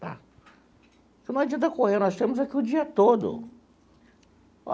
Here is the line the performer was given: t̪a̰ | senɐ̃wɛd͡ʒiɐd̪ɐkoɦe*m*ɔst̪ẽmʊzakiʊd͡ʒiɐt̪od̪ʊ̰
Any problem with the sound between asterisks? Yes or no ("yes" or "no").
yes